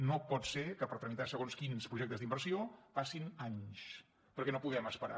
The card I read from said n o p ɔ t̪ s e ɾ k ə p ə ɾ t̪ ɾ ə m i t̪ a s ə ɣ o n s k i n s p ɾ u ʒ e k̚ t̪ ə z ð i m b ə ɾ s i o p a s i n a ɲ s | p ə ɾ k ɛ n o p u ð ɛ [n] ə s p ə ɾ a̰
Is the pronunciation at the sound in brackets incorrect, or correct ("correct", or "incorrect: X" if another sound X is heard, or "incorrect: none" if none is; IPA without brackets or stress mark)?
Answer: incorrect: m